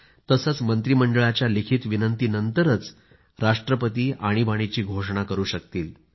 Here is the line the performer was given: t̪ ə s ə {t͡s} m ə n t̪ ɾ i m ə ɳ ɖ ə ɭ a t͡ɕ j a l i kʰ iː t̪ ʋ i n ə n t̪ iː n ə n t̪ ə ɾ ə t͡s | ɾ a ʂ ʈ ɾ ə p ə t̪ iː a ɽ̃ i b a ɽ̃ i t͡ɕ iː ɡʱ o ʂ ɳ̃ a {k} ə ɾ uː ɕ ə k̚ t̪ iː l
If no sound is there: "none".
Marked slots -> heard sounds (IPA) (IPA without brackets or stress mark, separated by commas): t͡s, k